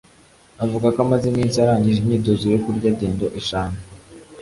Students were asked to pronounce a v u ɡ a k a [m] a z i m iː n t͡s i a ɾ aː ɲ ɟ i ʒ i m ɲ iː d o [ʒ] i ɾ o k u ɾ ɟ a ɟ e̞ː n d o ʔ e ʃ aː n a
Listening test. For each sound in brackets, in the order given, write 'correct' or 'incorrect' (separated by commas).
correct, incorrect